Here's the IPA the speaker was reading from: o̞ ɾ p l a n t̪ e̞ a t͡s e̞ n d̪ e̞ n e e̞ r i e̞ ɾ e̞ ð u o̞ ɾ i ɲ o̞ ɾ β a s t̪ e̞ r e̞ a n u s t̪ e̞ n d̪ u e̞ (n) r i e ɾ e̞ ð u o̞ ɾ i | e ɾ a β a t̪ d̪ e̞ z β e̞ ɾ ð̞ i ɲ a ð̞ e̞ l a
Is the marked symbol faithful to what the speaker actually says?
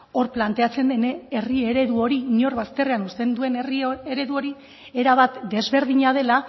yes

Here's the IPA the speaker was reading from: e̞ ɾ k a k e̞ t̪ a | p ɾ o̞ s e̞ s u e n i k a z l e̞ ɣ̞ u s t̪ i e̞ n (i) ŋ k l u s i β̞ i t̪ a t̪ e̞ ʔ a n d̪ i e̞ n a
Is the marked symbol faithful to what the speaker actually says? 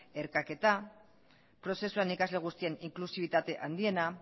yes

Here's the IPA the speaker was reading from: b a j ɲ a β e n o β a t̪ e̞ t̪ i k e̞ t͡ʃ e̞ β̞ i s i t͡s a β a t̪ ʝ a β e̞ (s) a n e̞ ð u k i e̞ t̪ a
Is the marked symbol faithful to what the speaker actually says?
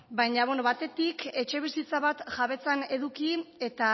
no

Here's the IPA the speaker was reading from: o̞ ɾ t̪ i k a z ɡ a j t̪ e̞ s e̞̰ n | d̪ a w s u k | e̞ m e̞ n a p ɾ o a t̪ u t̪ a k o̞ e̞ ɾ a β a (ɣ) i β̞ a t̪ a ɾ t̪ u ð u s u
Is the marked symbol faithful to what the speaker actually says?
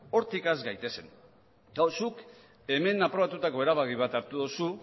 yes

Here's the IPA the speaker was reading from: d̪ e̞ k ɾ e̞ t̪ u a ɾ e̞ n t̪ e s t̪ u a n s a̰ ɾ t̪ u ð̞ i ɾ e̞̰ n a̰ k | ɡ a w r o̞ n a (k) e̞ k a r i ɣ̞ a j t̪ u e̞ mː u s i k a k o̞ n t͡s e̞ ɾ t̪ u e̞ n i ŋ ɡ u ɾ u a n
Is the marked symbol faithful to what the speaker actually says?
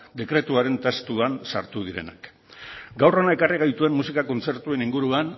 no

